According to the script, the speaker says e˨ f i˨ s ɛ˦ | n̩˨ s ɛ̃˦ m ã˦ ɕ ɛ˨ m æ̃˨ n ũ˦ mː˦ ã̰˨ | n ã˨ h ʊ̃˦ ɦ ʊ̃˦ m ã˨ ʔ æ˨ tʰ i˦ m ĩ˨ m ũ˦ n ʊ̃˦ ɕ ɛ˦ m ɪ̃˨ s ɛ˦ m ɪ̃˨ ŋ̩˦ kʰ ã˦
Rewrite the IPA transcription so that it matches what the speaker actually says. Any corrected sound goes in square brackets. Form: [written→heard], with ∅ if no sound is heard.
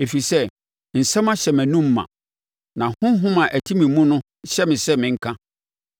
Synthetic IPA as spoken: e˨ f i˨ s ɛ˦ | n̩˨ s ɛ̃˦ m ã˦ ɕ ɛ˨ m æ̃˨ n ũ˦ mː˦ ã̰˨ | n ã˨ h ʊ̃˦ ɦ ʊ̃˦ m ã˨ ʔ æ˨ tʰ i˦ m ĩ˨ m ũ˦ n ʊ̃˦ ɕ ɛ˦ m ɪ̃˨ s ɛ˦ m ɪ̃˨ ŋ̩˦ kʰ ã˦

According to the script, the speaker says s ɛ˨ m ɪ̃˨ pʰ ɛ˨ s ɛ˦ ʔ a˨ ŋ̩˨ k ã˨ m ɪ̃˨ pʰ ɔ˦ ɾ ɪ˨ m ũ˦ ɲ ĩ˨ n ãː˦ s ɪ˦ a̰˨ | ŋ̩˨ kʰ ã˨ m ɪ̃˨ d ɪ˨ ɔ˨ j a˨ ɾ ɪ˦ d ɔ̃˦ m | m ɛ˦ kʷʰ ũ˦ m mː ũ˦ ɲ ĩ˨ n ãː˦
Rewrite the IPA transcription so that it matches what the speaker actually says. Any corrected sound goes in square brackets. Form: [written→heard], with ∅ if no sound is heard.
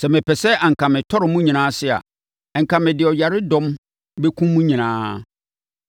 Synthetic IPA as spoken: s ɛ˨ m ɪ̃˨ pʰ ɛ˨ s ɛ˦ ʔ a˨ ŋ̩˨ k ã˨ m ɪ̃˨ [pʰ→tʰ] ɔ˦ ɾ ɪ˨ m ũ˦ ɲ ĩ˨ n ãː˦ s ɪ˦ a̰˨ | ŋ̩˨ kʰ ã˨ m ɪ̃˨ d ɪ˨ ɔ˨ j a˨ ɾ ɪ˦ d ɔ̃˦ m | [m→b] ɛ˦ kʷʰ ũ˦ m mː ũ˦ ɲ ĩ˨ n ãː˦

